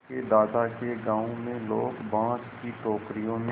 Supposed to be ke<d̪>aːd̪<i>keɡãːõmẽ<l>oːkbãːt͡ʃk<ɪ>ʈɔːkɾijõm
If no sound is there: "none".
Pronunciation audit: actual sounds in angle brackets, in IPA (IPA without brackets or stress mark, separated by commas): d̪, a, l, i